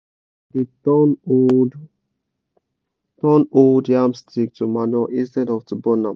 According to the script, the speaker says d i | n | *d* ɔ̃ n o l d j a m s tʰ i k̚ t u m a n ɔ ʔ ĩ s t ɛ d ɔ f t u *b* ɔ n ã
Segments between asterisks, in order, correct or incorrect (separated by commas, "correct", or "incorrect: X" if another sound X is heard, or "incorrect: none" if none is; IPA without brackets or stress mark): incorrect: t, correct